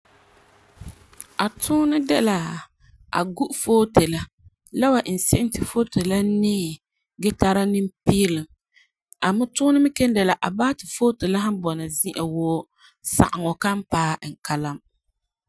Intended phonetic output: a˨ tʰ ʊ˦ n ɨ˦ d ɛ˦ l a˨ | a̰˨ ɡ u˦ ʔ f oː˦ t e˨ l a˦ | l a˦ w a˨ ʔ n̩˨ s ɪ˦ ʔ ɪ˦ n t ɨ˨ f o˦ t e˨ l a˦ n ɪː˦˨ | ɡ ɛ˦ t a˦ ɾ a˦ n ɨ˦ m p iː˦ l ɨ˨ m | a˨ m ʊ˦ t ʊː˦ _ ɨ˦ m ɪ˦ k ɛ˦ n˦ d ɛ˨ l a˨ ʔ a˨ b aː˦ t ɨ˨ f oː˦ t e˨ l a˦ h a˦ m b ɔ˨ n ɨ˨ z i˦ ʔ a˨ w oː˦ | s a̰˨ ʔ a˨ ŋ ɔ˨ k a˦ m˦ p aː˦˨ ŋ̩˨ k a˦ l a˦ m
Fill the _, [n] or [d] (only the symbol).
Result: n